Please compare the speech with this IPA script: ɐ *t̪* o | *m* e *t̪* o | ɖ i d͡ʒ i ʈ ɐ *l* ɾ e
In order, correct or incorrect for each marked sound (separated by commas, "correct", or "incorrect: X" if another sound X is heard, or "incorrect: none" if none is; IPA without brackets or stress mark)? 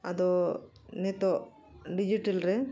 incorrect: d̪, incorrect: n, correct, correct